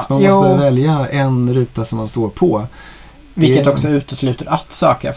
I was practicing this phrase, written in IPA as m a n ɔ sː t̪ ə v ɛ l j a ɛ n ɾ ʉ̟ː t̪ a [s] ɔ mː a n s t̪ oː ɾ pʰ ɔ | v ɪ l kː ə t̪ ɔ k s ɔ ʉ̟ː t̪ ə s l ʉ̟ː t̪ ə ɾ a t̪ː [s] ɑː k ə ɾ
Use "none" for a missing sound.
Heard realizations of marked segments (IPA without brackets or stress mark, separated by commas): s, s